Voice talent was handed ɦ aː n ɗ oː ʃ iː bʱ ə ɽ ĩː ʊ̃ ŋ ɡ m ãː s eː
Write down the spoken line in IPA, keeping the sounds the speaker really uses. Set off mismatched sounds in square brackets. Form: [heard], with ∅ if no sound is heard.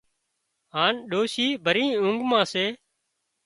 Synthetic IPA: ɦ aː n ɗ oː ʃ iː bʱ ə [ɾ] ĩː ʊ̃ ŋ ɡ m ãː s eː